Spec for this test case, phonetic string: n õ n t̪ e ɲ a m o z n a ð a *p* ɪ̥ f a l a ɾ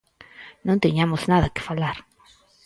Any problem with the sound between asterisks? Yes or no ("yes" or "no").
yes